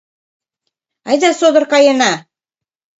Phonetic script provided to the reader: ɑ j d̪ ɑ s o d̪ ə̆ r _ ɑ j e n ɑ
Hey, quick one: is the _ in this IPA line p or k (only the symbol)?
k